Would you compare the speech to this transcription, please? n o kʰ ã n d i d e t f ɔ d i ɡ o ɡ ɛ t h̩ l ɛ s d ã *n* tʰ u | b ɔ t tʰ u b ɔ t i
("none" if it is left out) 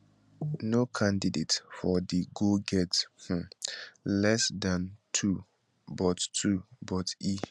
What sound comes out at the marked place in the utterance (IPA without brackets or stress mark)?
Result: n